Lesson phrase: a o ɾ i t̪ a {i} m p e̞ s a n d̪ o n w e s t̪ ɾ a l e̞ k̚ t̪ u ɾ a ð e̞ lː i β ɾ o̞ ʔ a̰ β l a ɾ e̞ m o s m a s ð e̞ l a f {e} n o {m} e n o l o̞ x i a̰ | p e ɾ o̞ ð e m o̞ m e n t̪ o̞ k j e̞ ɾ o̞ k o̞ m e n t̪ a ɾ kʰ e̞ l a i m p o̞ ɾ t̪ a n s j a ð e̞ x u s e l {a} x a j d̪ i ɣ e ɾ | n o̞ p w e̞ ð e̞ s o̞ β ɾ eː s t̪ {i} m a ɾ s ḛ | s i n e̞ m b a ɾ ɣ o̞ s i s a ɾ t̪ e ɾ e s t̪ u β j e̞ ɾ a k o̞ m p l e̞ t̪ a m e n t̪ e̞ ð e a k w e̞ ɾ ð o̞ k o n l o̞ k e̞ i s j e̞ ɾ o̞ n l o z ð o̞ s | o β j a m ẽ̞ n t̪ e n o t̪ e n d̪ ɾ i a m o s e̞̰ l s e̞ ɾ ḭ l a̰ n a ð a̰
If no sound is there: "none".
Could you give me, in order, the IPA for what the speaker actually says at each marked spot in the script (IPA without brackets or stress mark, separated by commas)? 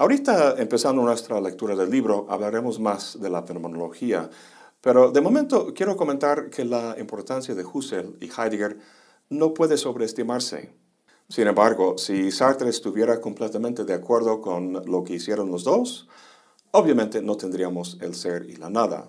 e, e, m, i, i